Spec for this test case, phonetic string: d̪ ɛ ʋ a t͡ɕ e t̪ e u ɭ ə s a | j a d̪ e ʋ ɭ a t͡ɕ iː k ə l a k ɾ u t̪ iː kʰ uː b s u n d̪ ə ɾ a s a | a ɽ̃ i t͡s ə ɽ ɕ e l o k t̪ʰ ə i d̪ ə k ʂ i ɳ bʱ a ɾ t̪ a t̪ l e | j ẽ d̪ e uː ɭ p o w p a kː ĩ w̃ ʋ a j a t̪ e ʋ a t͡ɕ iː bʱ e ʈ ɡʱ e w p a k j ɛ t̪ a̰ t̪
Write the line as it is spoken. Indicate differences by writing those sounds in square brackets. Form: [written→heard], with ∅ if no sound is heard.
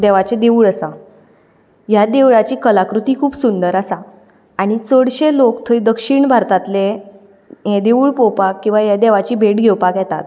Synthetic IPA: d̪ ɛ ʋ a t͡ɕ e [t̪→d̪] e u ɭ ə s a | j a d̪ e ʋ ɭ a t͡ɕ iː k ə l a k ɾ u t̪ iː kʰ uː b s u n d̪ ə ɾ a s a | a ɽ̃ i t͡s ə ɽ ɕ e l o k t̪ʰ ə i d̪ ə k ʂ i ɳ bʱ a ɾ t̪ a t̪ l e | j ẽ d̪ e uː ɭ p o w p a kː ĩ w̃ ʋ a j a [t̪→d̪] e ʋ a t͡ɕ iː bʱ e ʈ ɡʱ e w p a k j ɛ t̪ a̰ t̪